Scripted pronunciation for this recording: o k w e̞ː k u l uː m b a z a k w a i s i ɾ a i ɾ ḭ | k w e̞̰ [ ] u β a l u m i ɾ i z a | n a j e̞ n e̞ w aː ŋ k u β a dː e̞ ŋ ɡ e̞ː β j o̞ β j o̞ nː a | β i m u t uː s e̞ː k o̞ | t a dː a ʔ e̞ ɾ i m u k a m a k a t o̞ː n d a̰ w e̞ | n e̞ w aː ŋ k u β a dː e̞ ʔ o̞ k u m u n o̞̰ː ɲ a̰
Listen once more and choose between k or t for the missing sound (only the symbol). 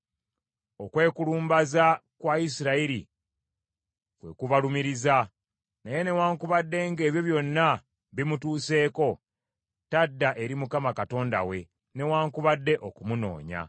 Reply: k